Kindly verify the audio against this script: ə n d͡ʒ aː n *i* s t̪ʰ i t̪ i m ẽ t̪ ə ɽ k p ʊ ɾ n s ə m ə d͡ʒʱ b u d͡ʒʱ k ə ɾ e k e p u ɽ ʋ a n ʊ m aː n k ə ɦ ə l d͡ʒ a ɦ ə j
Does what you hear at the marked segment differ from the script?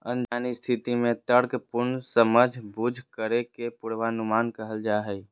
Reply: no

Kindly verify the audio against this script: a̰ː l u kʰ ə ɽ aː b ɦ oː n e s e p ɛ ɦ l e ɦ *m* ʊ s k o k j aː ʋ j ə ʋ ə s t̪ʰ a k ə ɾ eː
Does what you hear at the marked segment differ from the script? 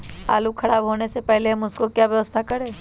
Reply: no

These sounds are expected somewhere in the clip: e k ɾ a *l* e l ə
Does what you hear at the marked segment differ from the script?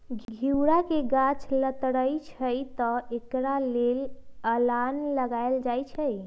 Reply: no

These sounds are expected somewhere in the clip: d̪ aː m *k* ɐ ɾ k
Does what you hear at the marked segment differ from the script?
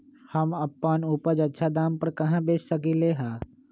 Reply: yes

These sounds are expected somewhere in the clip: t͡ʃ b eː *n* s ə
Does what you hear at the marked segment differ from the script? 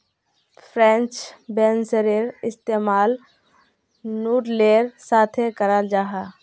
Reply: no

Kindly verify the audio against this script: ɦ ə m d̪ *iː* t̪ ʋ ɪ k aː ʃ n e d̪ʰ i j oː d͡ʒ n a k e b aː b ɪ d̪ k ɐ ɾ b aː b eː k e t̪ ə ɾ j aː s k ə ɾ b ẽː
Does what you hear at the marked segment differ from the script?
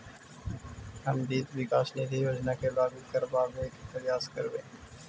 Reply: no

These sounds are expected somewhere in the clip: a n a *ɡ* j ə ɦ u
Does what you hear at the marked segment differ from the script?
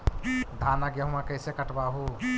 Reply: no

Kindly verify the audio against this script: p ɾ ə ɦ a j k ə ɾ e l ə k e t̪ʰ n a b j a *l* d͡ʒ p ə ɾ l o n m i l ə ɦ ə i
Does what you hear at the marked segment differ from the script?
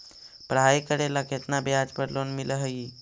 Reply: yes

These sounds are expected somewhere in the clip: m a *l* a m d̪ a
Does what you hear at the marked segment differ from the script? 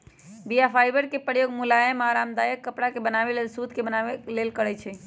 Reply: yes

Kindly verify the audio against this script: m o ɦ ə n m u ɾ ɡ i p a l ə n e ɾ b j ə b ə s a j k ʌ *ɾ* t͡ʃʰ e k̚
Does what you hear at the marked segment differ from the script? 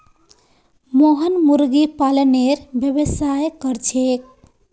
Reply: no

